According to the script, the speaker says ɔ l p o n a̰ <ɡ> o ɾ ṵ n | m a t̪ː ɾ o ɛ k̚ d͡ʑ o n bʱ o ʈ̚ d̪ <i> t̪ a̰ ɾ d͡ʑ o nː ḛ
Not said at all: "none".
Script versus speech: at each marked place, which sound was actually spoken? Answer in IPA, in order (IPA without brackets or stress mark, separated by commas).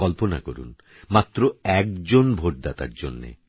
k, a